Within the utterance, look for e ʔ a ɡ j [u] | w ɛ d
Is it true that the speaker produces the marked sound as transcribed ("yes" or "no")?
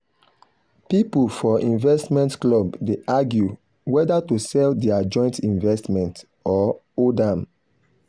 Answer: yes